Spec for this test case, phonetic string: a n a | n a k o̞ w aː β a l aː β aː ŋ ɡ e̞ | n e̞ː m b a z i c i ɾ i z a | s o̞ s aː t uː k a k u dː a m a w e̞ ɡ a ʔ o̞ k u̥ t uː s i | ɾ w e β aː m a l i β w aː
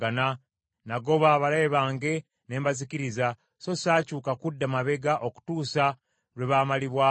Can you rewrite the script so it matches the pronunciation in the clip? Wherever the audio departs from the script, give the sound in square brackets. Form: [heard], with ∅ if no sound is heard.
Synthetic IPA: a n a | n a [ɡ] o̞ [β] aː β a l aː β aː ŋ ɡ e̞ | n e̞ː m b a z i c i ɾ i z a | s o̞ s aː [c] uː k a k u dː a m a [β] e̞ ɡ a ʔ o̞ k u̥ t uː s [a] | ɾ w e β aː m a l i β w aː